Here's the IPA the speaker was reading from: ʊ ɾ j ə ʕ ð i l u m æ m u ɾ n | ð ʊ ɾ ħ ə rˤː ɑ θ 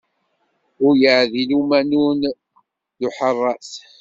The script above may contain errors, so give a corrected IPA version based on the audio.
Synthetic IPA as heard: ʊ ɾ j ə ʕ ð i l u m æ n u n | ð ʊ ħ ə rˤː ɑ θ